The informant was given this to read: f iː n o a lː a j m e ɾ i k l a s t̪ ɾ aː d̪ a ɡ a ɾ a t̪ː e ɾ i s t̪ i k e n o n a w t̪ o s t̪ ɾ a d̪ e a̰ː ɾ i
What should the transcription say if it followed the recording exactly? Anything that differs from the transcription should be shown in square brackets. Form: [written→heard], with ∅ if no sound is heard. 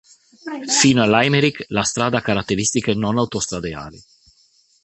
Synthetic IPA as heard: f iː n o a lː a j m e ɾ i k l a s t̪ ɾ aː d̪ a [ɡ→k] a ɾ a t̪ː e ɾ i s t̪ i k e n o n a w t̪ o s t̪ ɾ a d̪ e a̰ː [ɾ→l] i

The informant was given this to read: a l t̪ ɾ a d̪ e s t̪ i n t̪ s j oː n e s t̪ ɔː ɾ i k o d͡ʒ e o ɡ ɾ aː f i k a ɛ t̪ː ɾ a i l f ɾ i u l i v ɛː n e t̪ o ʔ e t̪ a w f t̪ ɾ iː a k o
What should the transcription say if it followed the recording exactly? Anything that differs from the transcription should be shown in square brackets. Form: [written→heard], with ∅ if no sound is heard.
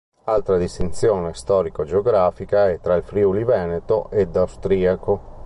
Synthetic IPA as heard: a l t̪ ɾ a d̪ [e→i] s t̪ i n t̪ s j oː n e s t̪ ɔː ɾ i k o d͡ʒ e o ɡ ɾ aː f i k a ɛ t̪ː ɾ a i l f ɾ i u l i v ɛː n e t̪ o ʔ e [t̪→d̪] a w [f→s] t̪ ɾ iː a k o

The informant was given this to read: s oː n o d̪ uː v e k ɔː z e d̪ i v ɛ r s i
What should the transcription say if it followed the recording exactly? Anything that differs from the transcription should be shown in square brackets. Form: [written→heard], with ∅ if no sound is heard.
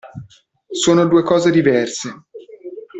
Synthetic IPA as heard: s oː n o d̪ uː [v→∅] e k ɔː z e d̪ i v ɛ r s [i→e]

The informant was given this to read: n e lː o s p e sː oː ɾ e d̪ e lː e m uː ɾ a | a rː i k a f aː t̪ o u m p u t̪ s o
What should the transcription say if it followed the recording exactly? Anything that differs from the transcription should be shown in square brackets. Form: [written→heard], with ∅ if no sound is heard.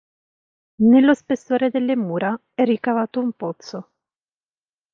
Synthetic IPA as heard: n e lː o s p e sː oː ɾ e d̪ e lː e m uː ɾ a | [a→ɛ] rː i k a [f→v] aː t̪ o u m p [u→o] t̪ s o

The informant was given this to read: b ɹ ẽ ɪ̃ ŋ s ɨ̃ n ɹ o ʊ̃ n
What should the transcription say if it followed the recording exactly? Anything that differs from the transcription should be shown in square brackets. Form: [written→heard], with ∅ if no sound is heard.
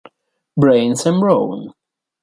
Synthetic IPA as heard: b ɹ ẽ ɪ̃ [ŋ→n] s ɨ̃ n ɹ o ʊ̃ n

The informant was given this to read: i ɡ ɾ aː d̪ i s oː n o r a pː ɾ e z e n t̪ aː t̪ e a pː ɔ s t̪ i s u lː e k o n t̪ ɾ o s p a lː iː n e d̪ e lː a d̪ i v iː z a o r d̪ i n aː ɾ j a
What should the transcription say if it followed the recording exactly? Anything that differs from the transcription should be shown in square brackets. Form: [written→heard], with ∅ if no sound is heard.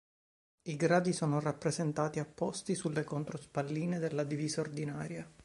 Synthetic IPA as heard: i ɡ ɾ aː d̪ i s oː n o r a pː ɾ e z e n t̪ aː t̪ [e→i] a pː ɔ s t̪ i s u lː e k o n t̪ ɾ o s p a lː iː n e d̪ e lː a d̪ i v iː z a o r d̪ i n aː ɾ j a

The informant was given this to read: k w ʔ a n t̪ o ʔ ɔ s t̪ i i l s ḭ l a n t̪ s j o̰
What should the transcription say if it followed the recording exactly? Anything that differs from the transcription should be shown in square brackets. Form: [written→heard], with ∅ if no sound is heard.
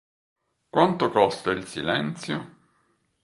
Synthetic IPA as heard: k w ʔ a n t̪ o [ʔ→k] ɔ s t̪ [i→a] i l s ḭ l [a→ɛ] n t̪ s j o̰

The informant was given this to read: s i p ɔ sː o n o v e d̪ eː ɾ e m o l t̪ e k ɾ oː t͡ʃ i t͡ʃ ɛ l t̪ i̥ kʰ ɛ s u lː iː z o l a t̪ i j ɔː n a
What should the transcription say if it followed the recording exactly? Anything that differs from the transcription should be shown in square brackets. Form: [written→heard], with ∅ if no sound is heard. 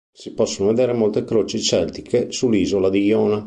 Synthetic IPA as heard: s i p ɔ sː o n o v e d̪ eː ɾ e m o l t̪ e k ɾ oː t͡ʃ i t͡ʃ ɛ l t̪ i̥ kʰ [ɛ→e] s u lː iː z o l a [t̪→d̪] i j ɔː n a

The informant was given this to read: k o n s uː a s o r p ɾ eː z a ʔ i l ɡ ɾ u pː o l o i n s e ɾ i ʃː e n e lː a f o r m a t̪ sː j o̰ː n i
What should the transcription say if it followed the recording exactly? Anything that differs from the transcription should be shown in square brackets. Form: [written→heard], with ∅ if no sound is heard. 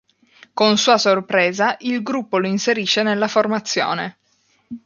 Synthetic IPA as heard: k o n s uː a s o r p ɾ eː z a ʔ i l ɡ ɾ u pː o l o i n s e ɾ i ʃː e n e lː a f o r m a t̪ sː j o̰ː n [i→e]

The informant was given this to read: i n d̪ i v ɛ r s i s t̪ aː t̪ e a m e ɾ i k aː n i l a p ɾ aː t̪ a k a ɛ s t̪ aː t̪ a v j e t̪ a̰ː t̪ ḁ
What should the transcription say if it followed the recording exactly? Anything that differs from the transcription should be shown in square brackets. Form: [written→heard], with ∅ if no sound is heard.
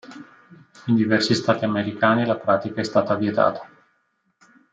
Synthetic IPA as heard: i n d̪ i v ɛ r s i s t̪ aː t̪ [e→i] a m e ɾ i k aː n i l a p ɾ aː t̪ [a→i] k a ɛ s t̪ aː t̪ a v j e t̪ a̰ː t̪ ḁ

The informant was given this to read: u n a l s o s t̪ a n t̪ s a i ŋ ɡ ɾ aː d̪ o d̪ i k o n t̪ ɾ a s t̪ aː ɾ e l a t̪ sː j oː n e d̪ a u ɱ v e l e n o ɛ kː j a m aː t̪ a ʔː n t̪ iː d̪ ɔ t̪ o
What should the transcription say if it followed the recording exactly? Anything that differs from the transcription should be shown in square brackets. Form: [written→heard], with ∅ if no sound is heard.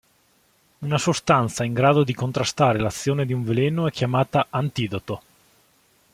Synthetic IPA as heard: u n a [l→∅] s o s t̪ a n t̪ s a i ŋ ɡ ɾ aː d̪ o d̪ i k o n t̪ ɾ a s t̪ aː ɾ e l a t̪ sː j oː n e d̪ [a→i] u ɱ v e l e n o ɛ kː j a m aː t̪ a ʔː n t̪ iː d̪ [ɔ→o] t̪ o

